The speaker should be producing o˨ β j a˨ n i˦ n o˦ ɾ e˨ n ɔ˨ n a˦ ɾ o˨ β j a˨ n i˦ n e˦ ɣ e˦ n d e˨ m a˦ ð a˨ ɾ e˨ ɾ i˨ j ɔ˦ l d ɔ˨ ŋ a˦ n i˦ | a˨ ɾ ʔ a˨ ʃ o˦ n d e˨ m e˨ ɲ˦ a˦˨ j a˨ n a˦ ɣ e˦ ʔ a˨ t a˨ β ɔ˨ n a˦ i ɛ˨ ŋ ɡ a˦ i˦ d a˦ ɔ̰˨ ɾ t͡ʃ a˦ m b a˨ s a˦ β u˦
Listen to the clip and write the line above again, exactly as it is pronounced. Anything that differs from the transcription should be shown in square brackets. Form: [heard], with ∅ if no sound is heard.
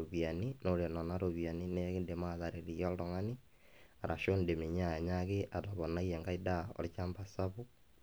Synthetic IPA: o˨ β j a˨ n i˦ n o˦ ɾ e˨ n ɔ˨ n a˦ ɾ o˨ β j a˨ n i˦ n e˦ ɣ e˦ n d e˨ m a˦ ð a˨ ɾ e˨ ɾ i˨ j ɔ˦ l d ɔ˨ ŋ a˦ n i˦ | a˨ ɾ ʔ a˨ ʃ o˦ n d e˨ m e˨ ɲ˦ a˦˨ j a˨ [ɲ] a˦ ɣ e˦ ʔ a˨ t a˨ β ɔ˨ n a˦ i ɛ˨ ŋ ɡ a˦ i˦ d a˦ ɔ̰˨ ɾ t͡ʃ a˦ m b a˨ s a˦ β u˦